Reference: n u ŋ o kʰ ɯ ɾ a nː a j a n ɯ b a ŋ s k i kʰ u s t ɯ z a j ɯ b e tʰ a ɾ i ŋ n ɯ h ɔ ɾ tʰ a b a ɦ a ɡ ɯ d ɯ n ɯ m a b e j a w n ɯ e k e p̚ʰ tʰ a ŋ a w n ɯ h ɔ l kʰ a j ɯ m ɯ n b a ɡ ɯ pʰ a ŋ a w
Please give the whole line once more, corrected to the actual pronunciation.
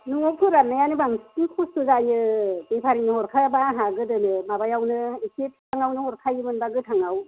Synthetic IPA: n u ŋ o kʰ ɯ ɾ a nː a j a n ɯ b a ŋ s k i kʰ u s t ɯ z a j ɯ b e pʰ a ɾ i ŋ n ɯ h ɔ ɾ kʰ a b a ɦ a ɡ ɯ d ɯ n ɯ m a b a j a w n ɯ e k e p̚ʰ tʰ a ŋ a w n ɯ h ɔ ɾ kʰ a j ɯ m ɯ n b a ɡ ɯ tʰ a ŋ a w